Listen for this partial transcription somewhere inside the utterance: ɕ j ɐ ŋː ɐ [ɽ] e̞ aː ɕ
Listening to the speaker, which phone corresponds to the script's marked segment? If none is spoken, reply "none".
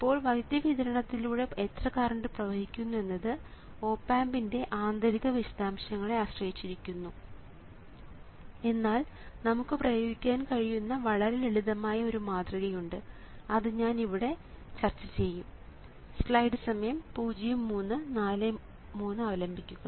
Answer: ɭ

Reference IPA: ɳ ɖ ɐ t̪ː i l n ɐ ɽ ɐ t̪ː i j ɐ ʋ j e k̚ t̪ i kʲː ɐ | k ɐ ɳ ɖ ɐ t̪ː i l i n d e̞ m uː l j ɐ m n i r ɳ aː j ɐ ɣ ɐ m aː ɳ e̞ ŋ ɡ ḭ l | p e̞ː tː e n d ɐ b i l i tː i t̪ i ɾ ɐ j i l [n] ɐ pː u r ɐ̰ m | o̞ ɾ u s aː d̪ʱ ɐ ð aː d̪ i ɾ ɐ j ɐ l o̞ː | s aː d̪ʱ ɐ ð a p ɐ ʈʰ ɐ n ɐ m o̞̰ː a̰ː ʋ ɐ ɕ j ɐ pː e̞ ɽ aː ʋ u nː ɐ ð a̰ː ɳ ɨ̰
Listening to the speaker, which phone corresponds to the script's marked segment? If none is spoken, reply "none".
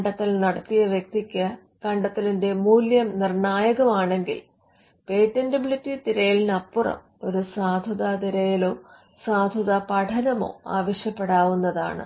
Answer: n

